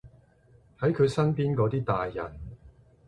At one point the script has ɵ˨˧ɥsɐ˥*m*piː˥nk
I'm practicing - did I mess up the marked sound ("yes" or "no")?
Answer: yes